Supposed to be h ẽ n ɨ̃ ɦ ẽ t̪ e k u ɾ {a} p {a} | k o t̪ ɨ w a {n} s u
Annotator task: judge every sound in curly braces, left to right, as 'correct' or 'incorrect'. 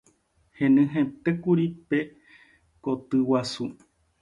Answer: incorrect: i, incorrect: e, incorrect: none

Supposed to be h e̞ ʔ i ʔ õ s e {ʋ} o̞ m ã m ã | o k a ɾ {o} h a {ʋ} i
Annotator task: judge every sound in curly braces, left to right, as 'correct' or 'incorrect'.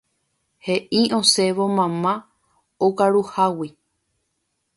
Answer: correct, incorrect: u, incorrect: w

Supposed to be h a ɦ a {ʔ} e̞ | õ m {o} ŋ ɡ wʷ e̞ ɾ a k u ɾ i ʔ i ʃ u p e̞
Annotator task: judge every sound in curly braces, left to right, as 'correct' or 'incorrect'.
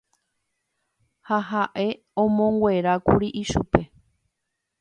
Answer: correct, incorrect: õ

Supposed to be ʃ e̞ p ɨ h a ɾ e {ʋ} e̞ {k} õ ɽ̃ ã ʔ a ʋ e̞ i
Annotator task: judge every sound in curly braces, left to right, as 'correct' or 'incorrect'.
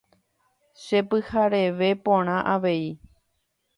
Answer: correct, incorrect: p

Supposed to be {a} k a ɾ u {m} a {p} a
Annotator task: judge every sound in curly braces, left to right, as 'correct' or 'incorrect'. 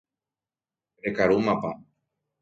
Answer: incorrect: e, correct, correct

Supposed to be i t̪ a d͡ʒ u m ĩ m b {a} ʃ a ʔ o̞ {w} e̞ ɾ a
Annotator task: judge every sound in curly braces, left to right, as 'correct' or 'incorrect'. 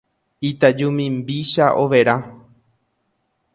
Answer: incorrect: i, incorrect: ʋ

